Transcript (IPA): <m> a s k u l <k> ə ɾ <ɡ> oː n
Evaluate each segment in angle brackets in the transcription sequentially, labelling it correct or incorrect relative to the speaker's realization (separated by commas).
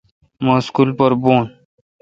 correct, incorrect, incorrect